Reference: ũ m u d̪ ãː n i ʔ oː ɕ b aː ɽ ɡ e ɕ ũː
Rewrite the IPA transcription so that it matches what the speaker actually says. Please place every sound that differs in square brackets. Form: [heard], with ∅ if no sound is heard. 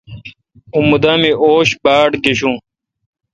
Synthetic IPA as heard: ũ m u d̪ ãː [m] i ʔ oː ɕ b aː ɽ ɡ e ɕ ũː